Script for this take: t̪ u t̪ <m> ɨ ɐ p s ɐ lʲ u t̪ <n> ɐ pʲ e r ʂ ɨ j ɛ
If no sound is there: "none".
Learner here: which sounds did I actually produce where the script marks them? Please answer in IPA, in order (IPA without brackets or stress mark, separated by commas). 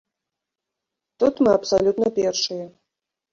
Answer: m, n